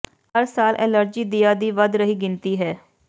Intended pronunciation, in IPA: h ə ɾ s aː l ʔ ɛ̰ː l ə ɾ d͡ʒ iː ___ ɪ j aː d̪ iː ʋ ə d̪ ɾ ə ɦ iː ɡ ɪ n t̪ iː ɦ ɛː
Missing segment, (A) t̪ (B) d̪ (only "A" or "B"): B